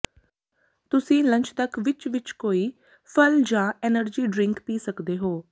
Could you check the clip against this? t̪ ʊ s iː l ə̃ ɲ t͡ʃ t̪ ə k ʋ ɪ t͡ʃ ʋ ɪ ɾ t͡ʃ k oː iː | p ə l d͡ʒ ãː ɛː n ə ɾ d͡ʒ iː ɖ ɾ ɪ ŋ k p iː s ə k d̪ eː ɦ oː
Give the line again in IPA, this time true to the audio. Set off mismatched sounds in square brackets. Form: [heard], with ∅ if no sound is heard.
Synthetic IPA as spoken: t̪ ʊ s [ĩː] l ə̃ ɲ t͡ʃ t̪ ə k ʋ ɪ t͡ʃ ʋ ɪ [∅] t͡ʃ k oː iː | [pʰ] ə l d͡ʒ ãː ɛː n ə ɾ d͡ʒ iː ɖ ɾ ɪ ŋ k p iː s ə k d̪ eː ɦ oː